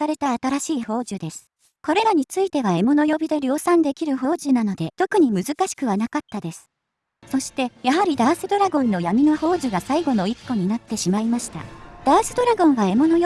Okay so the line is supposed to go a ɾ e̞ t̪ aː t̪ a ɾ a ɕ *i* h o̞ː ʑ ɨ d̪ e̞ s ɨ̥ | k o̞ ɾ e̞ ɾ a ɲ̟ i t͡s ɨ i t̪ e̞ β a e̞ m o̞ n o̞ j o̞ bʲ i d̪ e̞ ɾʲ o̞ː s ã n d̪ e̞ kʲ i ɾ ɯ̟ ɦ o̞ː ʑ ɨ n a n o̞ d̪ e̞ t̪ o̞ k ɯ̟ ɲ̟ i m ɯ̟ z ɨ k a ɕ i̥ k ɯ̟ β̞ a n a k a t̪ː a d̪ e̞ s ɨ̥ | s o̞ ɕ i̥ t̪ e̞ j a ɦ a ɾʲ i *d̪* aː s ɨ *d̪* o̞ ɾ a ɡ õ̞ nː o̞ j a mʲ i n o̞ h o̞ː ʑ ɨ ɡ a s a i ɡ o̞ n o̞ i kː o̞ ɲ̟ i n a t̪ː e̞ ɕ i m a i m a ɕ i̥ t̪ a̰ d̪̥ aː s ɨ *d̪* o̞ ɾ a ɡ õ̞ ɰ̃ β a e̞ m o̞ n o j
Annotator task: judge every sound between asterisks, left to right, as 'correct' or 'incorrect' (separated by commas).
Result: incorrect, correct, correct, correct